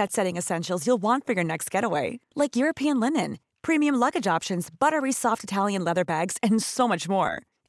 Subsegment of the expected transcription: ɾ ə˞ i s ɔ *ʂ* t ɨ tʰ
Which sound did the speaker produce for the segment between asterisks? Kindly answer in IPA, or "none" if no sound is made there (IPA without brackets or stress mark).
f